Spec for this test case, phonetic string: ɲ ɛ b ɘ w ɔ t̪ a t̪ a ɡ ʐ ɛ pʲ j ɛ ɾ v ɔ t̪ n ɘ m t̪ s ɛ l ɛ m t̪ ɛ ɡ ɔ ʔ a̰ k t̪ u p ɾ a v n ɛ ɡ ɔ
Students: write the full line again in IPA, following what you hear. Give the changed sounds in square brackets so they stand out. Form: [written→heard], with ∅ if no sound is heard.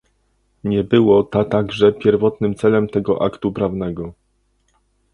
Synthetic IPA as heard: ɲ ɛ b ɘ w ɔ t̪ a t̪ a ɡ ʐ ɛ pʲ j ɛ ɾ v ɔ t̪ n ɘ m t̪ s ɛ l ɛ m t̪ ɛ ɡ ɔ ʔ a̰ k t̪ u p ɾ a v n ɛ ɡ ɔ